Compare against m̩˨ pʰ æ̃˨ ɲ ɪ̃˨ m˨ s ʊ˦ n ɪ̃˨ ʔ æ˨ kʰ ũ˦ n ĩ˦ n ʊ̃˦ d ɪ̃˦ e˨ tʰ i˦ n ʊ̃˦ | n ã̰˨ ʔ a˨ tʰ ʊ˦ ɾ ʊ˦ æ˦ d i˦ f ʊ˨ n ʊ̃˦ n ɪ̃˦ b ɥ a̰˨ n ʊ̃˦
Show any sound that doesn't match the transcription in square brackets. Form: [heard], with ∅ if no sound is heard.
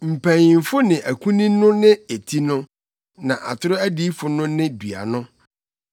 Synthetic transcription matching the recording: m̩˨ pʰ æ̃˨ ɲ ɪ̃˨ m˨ [f] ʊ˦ n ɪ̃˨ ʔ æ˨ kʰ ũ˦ n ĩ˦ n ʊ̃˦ [n] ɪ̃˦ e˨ tʰ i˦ n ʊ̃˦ | n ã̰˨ ʔ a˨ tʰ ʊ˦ ɾ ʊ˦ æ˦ d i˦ f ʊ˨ n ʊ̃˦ n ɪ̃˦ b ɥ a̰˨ n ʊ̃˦